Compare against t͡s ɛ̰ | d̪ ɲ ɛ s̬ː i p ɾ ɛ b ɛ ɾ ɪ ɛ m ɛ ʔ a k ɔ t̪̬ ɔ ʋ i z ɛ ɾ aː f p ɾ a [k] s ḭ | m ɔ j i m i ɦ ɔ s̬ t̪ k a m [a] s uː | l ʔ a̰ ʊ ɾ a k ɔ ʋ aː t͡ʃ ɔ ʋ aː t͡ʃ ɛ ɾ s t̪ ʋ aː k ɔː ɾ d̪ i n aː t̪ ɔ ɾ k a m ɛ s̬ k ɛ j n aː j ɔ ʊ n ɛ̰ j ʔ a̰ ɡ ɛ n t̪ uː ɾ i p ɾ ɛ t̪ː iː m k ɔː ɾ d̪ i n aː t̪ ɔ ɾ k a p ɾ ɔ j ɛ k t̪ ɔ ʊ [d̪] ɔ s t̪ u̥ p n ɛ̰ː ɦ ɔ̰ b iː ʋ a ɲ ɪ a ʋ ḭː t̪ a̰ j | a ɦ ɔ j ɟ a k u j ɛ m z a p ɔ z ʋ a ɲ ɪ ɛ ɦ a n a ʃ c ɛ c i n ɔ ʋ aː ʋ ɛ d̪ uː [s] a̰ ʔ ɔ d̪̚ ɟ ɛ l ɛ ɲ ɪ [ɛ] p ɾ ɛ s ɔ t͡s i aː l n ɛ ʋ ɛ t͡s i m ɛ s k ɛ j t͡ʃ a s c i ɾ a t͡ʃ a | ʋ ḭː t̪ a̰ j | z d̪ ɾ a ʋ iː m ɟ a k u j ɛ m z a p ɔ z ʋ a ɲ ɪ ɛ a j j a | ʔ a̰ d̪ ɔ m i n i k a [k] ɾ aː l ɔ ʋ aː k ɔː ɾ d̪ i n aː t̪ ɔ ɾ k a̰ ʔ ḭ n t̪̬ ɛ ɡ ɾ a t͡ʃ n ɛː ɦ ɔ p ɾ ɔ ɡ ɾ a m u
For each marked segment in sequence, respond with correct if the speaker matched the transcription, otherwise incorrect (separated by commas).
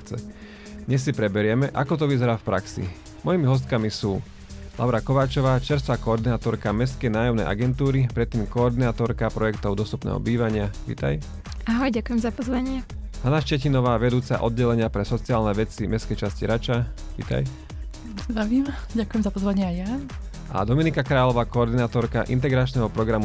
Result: correct, incorrect, correct, incorrect, incorrect, correct